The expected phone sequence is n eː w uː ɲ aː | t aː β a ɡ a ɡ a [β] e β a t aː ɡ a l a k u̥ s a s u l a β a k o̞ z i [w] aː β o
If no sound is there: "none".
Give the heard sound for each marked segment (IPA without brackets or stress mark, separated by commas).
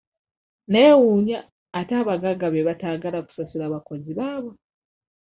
β, β